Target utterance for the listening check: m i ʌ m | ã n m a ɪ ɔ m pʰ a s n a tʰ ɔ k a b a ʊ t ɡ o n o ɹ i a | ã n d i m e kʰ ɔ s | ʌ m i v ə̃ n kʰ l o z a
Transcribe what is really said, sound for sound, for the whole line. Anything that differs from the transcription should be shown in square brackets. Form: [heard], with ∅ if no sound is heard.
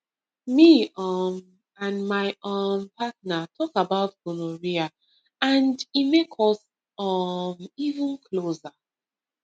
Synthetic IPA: m i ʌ m | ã n m a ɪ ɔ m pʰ a [t] n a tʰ ɔ k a b a ʊ t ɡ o n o ɹ i a | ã n d i m e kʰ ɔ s | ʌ m i v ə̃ n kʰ l o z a